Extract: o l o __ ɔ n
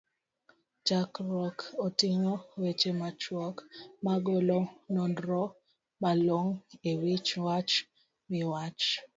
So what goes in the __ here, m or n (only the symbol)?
n